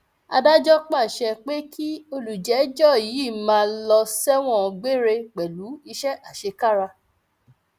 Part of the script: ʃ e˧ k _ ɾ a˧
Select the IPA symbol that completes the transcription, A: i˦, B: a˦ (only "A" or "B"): B